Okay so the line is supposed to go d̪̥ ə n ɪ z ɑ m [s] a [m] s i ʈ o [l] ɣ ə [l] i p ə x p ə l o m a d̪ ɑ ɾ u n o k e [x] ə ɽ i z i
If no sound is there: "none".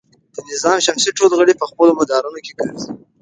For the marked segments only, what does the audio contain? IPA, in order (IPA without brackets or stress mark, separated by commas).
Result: ʃ, m, l, ɽ, k